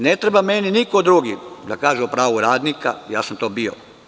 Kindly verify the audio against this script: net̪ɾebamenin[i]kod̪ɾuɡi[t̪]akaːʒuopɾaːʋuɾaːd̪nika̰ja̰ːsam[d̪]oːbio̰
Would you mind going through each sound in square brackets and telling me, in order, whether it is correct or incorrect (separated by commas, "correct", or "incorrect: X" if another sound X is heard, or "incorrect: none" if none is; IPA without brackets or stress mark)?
correct, incorrect: d̪, incorrect: t̪